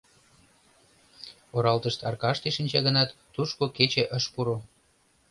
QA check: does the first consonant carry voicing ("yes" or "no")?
yes